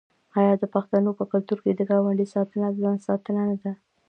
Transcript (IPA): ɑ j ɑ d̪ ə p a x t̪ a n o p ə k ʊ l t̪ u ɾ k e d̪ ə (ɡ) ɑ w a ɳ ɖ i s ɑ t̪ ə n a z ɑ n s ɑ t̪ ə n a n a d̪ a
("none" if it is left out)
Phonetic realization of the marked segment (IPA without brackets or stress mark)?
ɡ